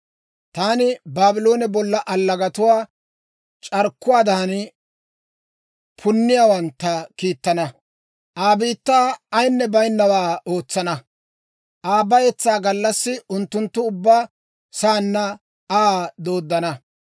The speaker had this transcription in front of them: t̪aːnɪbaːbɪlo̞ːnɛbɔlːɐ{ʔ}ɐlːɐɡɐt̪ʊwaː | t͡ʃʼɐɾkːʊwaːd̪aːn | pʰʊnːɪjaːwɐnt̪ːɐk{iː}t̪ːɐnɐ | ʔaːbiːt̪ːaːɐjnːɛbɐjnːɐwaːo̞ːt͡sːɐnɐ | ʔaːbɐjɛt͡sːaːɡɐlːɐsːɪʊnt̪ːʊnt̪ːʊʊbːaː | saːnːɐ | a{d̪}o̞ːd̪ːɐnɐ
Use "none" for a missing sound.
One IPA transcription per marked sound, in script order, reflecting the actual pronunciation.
ʔ, iː, d̪

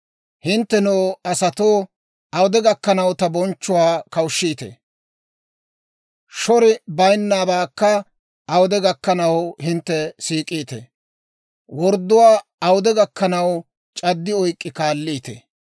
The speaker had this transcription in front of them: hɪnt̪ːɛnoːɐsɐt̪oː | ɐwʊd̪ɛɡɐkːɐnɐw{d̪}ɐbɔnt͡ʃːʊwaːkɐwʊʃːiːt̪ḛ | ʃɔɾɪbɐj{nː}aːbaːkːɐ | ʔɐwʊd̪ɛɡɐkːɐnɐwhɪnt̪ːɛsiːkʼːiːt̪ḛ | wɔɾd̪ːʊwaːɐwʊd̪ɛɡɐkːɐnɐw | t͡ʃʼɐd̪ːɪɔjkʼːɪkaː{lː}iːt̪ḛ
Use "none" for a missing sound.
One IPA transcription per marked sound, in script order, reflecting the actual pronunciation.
t̪, nː, lː

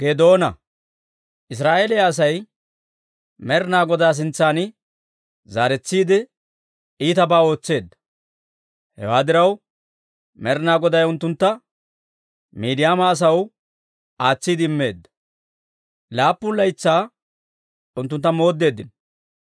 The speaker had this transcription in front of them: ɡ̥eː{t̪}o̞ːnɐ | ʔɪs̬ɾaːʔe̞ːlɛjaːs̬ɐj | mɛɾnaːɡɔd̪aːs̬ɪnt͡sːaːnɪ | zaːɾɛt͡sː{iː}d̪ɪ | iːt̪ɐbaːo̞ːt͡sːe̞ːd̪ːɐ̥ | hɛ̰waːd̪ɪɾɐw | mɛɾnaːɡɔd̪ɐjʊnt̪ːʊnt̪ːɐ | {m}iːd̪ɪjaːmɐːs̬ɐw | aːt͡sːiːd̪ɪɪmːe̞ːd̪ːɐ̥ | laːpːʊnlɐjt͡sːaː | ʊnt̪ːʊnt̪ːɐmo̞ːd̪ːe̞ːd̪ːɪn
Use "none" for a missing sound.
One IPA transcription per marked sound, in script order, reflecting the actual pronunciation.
d̪, iː, m

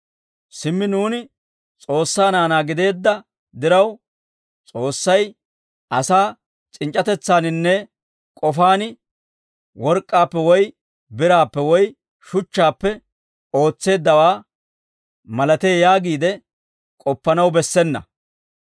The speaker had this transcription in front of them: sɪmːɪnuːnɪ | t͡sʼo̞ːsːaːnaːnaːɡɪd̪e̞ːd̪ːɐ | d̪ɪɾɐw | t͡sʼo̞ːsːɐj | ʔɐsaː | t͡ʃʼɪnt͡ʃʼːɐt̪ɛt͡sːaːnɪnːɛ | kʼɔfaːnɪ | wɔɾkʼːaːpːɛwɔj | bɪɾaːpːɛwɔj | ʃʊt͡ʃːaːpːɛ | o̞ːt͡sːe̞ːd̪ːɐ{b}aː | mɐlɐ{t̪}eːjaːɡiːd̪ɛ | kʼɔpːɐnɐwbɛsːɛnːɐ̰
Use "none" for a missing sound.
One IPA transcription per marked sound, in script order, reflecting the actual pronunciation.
w, t̪

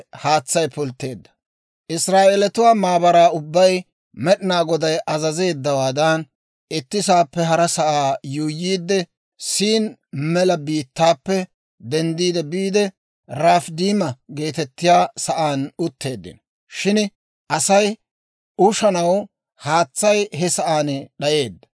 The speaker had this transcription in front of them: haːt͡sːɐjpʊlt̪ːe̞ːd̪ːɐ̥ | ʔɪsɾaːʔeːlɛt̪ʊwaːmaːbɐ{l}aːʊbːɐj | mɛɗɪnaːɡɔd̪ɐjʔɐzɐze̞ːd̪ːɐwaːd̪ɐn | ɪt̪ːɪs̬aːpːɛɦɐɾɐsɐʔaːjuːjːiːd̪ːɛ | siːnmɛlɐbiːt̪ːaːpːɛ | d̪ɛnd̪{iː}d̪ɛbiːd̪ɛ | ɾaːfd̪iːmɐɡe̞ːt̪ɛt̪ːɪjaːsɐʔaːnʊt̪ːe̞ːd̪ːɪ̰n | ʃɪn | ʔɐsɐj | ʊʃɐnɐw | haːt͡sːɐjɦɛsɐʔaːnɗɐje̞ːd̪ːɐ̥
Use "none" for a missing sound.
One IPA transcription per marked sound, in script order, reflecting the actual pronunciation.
ɾ, iː

